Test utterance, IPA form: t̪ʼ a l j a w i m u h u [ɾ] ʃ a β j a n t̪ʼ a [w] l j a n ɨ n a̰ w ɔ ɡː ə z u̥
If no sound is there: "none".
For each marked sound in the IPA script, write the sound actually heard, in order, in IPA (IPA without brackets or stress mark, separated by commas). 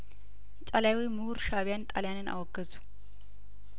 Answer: ɾ, none